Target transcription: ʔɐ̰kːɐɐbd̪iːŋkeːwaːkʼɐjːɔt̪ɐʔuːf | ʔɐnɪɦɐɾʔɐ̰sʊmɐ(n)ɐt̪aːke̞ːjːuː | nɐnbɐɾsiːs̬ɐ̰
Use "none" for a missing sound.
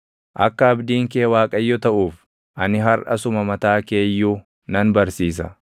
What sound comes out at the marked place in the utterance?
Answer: m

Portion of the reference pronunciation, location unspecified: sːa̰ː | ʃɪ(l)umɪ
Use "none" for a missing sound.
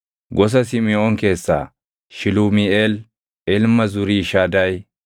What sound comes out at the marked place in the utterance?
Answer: l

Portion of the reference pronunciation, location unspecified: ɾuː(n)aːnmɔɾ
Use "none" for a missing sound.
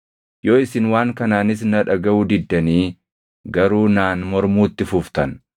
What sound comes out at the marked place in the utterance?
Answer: n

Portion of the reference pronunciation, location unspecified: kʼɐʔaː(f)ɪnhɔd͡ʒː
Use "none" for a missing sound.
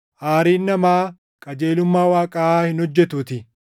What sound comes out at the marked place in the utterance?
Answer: h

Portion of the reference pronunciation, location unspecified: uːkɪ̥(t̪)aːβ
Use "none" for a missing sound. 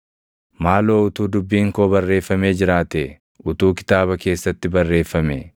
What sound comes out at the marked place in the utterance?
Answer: t̪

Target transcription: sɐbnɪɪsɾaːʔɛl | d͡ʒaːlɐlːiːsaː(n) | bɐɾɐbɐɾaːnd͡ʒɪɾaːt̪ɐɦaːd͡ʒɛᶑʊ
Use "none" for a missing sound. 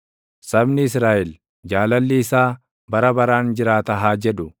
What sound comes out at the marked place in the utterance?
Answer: none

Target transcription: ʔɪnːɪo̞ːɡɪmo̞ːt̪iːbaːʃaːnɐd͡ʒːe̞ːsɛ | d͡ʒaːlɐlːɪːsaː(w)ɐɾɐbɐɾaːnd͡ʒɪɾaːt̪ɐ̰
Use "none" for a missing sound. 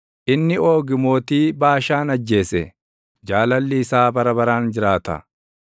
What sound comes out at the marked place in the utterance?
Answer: b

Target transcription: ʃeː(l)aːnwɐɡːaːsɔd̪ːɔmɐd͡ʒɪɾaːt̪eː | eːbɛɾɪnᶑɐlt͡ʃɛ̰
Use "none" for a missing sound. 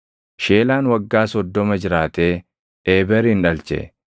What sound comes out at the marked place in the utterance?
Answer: l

